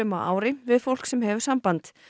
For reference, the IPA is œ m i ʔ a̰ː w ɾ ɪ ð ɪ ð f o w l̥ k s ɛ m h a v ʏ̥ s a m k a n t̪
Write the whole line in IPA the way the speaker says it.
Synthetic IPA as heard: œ m a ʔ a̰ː w ɾ ɪ v ɪ ð f o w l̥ k s ɛ m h ɛ v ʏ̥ s a m p a n t̪